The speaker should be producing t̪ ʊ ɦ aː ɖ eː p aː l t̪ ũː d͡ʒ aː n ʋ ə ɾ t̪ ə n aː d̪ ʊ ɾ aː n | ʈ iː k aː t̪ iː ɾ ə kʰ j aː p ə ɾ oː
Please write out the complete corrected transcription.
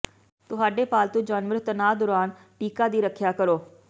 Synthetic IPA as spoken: t̪ ʊ ɦ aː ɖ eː p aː l t̪ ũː d͡ʒ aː n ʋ ə ɾ t̪ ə n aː d̪ ʊ ɾ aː n | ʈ iː k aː d̪ iː ɾ ə kʰ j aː k ə ɾ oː